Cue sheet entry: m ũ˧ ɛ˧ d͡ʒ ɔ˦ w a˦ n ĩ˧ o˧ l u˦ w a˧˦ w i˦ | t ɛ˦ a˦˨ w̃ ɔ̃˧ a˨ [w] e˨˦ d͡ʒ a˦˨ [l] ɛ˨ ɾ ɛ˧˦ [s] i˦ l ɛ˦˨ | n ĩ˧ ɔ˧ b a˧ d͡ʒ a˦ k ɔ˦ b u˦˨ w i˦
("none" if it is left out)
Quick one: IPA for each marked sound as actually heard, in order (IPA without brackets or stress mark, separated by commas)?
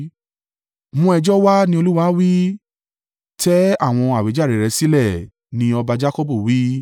w, ɾ, s